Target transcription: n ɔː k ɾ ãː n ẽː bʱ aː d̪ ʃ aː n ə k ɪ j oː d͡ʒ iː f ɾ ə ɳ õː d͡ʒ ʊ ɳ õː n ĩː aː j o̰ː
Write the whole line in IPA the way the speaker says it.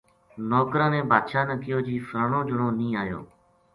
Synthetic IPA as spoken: n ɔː k ɾ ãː n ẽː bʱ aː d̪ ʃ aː n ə k ɪ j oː d͡ʒ iː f ɾ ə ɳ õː d͡ʒ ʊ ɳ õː n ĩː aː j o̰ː